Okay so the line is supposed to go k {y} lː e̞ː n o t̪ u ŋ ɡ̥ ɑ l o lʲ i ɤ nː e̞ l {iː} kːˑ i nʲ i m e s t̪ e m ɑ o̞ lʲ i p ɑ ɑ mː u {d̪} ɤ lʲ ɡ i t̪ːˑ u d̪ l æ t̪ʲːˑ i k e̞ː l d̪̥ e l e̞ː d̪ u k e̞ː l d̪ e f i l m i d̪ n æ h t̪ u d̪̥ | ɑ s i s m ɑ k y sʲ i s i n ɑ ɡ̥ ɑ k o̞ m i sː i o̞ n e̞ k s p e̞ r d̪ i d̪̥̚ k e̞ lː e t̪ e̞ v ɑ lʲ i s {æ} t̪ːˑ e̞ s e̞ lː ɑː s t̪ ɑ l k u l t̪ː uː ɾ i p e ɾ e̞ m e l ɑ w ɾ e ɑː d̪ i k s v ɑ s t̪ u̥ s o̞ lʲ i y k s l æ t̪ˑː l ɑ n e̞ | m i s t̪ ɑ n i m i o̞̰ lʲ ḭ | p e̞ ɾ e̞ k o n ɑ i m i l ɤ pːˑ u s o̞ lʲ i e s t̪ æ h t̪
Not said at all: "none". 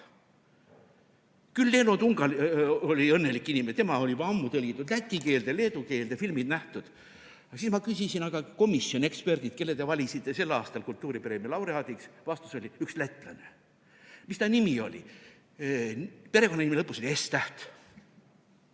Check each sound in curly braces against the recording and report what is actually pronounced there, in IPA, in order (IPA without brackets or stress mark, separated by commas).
y, i, t̪, i